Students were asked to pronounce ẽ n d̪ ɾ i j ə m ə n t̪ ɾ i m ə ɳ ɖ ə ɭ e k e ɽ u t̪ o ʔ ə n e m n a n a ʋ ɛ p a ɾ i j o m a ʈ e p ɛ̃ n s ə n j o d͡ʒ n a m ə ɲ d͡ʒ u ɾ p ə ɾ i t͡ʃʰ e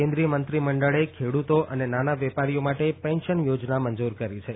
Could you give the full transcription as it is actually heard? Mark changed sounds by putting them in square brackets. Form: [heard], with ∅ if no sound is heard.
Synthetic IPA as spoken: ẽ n d̪ ɾ i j ə m ə n t̪ ɾ i m ə ɳ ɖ ə ɭ e [kʰ] e ɽ u t̪ o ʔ ə n e [∅] n a n a ʋ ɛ p a ɾ i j o m a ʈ e p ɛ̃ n [ʃ] ə n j o d͡ʒ n a m ə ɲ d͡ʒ u ɾ [k] ə ɾ i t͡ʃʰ e